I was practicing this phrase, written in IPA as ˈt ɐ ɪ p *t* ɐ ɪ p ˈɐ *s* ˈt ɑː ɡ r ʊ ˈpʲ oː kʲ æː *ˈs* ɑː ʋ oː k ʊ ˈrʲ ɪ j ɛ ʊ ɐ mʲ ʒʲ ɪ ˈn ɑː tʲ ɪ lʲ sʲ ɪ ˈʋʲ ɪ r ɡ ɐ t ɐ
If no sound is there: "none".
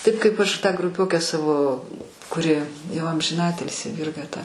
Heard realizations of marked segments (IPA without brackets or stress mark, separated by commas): k, ʃ, s